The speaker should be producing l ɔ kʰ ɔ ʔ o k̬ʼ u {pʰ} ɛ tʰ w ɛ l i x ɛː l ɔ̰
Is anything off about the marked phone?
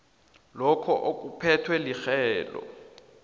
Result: no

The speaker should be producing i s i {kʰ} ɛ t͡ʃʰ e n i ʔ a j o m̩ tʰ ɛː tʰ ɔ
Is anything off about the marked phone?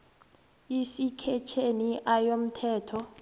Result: no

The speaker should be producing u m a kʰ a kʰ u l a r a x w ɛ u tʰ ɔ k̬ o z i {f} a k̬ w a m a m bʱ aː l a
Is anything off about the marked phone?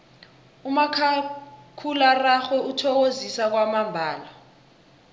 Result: yes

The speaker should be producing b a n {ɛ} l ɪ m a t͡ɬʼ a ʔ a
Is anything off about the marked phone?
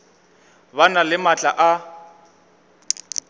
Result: yes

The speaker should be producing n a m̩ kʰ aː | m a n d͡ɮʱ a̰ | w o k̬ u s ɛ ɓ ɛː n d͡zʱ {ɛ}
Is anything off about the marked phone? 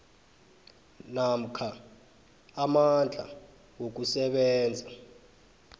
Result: yes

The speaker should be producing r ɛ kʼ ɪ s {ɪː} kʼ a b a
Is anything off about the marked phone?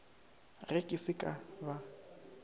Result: yes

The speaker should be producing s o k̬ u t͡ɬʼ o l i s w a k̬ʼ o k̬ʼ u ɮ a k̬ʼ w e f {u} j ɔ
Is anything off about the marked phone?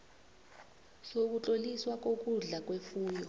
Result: yes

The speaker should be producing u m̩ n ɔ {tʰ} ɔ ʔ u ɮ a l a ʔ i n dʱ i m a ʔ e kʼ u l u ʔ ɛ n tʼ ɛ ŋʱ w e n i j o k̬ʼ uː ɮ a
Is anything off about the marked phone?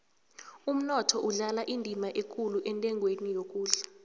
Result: no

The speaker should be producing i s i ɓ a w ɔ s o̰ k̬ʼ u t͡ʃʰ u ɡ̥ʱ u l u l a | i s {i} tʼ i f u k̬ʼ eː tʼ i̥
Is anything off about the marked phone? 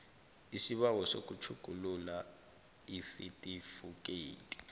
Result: no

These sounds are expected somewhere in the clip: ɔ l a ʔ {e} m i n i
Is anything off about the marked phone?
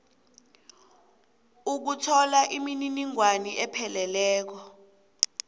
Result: yes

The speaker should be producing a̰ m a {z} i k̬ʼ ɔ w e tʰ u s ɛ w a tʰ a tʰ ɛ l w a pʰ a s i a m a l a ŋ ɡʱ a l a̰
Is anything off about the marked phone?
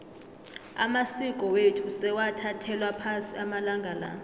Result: yes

